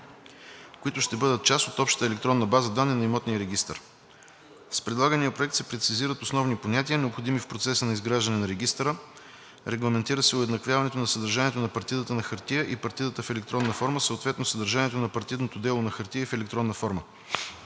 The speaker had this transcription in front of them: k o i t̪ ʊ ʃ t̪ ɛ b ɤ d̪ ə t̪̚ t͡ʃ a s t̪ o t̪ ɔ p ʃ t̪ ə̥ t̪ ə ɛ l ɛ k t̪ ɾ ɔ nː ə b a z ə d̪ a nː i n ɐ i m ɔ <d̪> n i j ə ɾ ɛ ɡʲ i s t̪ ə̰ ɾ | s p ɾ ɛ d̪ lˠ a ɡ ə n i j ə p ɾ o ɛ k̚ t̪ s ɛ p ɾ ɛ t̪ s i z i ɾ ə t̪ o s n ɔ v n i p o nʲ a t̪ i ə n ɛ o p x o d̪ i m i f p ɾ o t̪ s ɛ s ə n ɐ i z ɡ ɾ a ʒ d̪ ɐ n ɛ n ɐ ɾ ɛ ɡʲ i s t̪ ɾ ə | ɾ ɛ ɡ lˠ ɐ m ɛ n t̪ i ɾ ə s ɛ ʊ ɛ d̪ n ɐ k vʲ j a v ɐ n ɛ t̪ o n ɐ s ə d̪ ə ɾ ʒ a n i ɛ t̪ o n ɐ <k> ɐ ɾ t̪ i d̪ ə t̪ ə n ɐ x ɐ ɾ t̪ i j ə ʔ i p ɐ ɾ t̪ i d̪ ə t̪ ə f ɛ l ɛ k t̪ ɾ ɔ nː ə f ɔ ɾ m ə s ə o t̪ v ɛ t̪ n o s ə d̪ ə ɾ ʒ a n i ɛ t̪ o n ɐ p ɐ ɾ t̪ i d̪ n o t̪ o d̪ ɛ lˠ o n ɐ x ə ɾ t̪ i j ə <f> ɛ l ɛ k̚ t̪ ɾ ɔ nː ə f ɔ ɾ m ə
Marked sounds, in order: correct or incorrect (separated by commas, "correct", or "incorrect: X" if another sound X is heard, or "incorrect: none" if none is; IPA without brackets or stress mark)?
incorrect: t̪, incorrect: p, correct